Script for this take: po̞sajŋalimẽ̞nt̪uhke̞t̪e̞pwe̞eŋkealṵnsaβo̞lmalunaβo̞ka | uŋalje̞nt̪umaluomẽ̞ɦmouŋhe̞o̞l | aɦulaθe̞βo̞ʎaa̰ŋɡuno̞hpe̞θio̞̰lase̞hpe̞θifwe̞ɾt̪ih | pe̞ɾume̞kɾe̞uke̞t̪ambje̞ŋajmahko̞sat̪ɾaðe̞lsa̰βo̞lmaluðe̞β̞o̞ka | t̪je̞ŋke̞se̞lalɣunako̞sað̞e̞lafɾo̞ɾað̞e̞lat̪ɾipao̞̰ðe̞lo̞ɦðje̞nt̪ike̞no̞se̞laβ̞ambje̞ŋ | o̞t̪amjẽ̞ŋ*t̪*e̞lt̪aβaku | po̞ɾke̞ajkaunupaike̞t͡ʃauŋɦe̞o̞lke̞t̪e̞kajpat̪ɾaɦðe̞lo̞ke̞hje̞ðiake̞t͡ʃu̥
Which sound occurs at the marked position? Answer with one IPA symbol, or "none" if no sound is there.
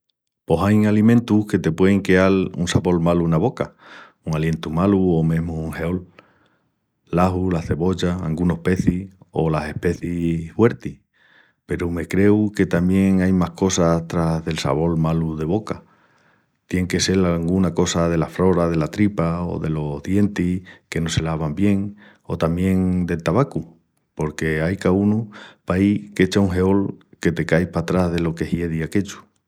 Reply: d̪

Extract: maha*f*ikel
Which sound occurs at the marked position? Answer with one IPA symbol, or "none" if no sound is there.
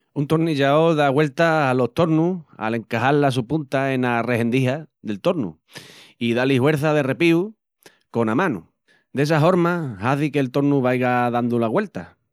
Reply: θ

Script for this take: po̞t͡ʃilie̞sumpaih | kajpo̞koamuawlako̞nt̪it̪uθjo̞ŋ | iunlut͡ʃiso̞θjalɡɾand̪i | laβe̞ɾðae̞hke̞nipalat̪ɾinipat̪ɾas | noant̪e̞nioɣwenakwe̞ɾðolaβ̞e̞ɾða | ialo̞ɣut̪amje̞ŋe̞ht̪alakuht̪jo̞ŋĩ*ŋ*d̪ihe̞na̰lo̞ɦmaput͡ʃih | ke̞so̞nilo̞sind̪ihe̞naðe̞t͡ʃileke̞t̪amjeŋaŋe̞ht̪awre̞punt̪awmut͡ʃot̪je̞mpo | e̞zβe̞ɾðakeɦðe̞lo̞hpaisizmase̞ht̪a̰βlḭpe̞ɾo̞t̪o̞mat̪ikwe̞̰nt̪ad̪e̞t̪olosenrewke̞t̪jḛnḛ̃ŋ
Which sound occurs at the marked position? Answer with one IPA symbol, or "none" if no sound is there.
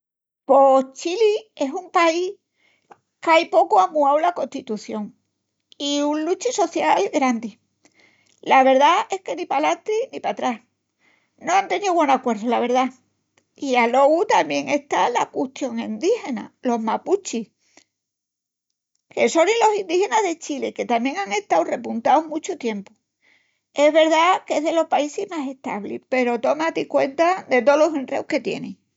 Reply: n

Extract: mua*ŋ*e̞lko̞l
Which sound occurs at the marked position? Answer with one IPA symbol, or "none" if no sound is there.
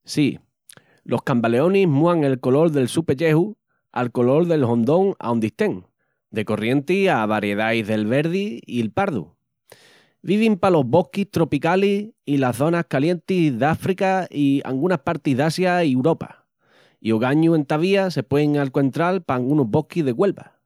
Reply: ŋ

